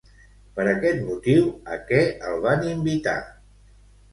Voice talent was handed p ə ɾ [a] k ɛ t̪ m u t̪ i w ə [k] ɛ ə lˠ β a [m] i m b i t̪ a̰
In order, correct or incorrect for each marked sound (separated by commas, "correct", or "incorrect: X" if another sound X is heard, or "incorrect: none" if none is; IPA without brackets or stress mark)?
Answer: incorrect: ə, correct, incorrect: n